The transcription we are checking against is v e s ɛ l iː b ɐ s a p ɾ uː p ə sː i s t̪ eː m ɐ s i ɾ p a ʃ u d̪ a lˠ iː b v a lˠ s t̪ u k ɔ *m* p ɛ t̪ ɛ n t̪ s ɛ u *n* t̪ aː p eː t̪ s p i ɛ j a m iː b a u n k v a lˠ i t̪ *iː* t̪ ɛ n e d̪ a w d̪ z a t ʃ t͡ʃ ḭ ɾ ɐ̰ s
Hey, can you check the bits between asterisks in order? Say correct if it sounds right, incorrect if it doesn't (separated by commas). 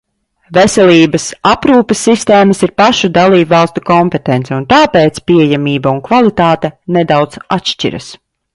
correct, correct, incorrect